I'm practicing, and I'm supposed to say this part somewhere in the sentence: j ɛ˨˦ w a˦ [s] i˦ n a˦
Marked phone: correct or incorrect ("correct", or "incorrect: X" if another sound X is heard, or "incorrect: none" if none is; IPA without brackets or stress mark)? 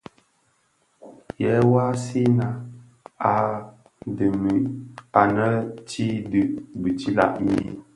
correct